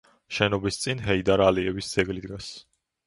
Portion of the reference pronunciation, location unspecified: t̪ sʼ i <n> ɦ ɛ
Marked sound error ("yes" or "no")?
no